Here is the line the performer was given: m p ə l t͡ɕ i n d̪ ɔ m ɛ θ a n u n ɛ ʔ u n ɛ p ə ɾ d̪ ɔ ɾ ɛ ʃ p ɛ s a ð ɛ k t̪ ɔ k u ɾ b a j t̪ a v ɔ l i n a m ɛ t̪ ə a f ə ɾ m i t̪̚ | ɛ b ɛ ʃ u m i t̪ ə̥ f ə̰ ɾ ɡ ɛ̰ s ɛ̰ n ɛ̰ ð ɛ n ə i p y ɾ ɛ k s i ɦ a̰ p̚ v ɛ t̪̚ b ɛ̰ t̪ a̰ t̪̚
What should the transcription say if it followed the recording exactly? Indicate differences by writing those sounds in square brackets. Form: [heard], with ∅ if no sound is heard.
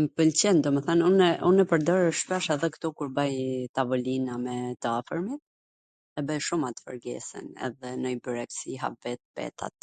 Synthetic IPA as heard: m p ə l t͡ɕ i n d̪ ɔ m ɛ θ a n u n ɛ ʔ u n ɛ p ə ɾ d̪ ɔ ɾ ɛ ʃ p ɛ [ʃ] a ð ɛ k t̪ ɔ k u ɾ b a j t̪ a v ɔ l i n a m ɛ t̪ ə a f ə ɾ m i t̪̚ | ɛ b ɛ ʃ u m [a] t̪ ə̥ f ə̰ ɾ ɡ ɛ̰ s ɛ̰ n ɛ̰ ð ɛ n ə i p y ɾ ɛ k s i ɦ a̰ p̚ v ɛ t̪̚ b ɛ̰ t̪ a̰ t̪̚